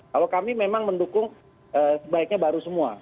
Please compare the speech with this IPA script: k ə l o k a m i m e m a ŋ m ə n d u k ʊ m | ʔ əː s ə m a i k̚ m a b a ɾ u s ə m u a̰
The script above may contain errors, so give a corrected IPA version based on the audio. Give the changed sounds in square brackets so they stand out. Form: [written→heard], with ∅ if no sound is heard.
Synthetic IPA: k [ə→a] l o k a m i m e m a ŋ m ə n d u k ʊ [m→ŋ] | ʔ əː s ə [m→b] a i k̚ [m→ɲ] a b a ɾ u s ə m u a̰